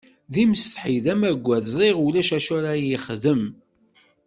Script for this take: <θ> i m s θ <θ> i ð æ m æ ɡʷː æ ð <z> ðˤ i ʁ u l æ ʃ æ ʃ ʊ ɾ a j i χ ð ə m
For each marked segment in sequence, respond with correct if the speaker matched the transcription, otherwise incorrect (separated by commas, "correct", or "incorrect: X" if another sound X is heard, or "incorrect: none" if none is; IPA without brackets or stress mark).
incorrect: ð, incorrect: ħ, correct